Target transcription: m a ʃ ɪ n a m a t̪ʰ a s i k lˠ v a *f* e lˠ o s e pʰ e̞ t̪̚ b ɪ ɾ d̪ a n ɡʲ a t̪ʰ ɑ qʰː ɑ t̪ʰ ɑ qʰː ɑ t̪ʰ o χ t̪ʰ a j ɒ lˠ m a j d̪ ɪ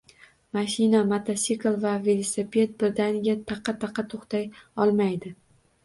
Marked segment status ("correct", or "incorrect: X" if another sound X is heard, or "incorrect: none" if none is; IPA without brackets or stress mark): incorrect: v